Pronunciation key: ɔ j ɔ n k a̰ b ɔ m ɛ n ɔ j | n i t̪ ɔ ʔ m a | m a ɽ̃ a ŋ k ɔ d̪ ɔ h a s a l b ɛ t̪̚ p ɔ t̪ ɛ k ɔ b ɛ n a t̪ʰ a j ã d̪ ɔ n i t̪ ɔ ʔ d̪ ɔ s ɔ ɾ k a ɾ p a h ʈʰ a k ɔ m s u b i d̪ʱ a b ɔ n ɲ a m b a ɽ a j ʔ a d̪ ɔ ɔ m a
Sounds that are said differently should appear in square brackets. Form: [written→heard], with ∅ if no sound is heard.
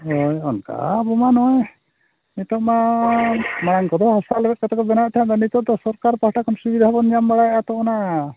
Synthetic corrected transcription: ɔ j ɔ n k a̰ b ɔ m [ɛ→a] n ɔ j | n i t̪ ɔ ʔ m a | m a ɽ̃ a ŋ k ɔ d̪ ɔ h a s a l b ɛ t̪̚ [p→k] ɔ t̪ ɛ k ɔ b ɛ n a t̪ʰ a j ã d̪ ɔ n i t̪ ɔ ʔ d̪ ɔ s ɔ ɾ k a ɾ p a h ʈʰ a k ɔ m s u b i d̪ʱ a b ɔ n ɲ a m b a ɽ a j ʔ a [d̪→t̪] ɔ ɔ [m→n] a